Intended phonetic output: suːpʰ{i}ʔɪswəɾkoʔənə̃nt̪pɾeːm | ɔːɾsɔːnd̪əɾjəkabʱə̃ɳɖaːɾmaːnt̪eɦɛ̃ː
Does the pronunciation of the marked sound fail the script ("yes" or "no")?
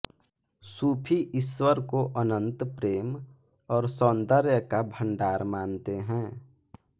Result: no